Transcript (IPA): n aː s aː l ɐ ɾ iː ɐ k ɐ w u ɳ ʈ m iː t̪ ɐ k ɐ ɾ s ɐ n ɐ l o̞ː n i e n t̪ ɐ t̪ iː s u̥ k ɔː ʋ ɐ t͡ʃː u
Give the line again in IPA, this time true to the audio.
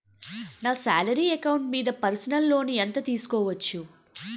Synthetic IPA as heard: n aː s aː l ɐ ɾ iː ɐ k ɐ w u ɳ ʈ m iː d̪ ɐ p ɐ ɾ s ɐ n ɐ lː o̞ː n i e n t̪ ɐ t̪ iː s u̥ k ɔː ʋ ɐ t͡ʃː u